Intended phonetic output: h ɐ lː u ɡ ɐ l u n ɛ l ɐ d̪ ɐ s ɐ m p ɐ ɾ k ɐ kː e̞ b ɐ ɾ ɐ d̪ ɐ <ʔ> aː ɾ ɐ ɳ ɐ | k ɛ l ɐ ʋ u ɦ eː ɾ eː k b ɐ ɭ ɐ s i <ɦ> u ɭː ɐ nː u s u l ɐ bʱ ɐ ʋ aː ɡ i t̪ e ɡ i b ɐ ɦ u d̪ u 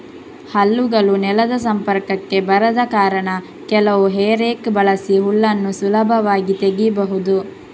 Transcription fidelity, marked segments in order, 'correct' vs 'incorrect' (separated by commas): incorrect, correct